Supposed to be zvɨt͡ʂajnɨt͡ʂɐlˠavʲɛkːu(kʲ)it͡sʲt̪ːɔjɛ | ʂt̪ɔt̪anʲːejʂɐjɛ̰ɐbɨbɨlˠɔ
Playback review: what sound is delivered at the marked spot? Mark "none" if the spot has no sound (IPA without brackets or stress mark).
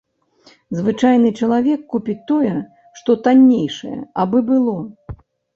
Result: pʲ